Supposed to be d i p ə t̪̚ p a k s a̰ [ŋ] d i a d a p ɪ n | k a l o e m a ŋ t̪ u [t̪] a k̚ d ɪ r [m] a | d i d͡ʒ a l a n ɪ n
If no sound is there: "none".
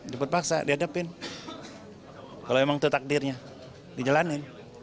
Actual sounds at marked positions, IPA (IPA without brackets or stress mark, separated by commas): none, t̪, ɲ